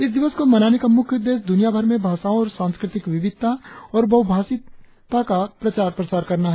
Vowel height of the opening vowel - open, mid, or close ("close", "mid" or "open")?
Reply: close